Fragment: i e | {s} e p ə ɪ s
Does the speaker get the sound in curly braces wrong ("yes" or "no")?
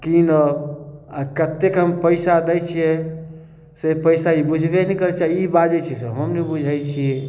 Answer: no